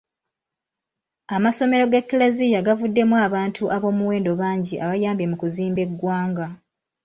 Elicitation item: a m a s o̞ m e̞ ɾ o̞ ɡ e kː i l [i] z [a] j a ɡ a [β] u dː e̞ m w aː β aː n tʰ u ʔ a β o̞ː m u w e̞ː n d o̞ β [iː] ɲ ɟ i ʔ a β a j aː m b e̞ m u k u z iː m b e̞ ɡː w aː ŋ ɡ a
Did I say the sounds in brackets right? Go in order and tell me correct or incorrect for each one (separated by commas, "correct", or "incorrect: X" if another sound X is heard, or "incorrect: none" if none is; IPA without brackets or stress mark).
incorrect: e, incorrect: i, incorrect: v, incorrect: aː